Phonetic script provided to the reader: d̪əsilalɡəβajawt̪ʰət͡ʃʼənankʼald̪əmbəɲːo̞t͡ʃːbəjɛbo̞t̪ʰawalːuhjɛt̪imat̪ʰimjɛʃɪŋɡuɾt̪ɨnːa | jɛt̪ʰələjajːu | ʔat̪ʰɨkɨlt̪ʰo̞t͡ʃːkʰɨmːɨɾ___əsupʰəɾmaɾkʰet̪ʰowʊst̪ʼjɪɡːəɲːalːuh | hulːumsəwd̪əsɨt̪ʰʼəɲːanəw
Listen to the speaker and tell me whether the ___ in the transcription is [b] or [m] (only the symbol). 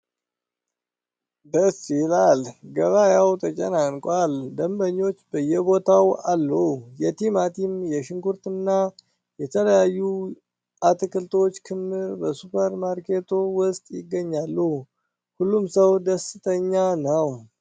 b